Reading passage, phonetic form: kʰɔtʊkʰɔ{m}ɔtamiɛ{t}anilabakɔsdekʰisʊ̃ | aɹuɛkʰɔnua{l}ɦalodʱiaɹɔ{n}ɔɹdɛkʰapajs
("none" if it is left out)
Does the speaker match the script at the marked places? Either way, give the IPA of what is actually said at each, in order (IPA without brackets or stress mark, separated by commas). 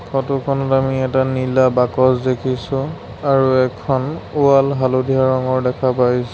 n, t, l, ŋ